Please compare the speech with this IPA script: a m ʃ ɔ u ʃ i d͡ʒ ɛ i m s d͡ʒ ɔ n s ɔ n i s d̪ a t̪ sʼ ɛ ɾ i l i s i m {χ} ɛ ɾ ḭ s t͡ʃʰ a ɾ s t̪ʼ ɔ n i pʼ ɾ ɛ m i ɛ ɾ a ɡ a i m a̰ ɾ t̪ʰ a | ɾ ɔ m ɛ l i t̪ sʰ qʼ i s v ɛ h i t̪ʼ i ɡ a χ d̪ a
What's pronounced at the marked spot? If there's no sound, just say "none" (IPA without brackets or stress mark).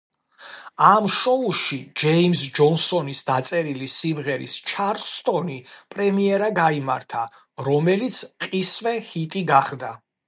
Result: ʁ